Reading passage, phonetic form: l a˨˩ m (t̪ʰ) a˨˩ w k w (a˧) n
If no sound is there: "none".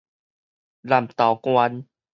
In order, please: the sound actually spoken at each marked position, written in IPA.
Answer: t̪, a˧

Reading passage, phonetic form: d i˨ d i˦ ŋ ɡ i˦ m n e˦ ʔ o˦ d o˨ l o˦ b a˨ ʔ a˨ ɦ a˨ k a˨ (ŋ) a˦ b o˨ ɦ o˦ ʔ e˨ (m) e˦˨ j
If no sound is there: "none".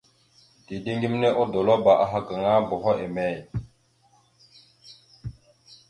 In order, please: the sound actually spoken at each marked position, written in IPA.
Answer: ŋ, m

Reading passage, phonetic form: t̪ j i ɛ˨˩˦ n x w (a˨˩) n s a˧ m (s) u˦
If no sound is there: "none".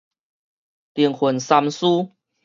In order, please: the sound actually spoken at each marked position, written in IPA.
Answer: ə˨˩, s

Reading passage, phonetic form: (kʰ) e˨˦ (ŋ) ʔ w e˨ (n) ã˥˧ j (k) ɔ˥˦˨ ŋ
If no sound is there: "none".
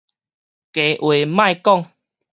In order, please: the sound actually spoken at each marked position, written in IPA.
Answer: k, none, m, k

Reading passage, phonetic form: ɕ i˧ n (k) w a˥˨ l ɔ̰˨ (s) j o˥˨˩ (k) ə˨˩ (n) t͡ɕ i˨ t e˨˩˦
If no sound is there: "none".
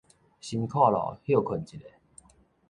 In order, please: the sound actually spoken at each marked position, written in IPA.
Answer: kʰ, h, kʰ, n

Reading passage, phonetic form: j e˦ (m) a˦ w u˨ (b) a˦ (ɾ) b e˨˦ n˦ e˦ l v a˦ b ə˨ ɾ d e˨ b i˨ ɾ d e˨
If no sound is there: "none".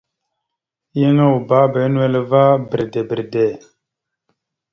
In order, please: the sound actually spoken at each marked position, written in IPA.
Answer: ŋ, b, none

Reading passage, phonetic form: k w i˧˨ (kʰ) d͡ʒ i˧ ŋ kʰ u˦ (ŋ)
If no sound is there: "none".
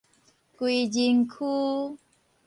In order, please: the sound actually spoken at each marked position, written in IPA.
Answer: none, none

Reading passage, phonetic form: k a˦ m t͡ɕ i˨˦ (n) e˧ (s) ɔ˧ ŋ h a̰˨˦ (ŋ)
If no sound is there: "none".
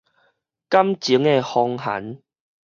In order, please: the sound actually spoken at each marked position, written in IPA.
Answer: ŋ, h, n

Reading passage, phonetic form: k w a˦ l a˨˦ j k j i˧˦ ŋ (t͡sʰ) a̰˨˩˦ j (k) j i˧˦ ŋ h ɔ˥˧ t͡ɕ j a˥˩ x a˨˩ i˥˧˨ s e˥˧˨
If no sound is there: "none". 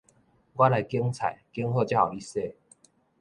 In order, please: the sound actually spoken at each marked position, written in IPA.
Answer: t͡sʰ, k

